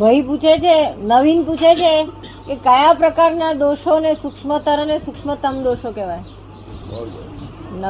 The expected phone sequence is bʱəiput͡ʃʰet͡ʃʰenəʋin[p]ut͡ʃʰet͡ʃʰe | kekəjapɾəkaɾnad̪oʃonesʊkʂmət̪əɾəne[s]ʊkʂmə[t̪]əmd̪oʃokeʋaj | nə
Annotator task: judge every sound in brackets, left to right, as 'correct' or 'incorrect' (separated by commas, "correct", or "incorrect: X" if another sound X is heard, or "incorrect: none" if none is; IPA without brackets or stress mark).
correct, correct, correct